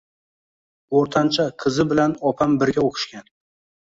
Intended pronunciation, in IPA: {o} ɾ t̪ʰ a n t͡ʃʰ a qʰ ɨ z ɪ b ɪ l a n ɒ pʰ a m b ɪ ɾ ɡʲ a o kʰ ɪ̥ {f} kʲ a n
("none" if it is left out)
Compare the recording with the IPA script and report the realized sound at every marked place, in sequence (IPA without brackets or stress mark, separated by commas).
o, ʃ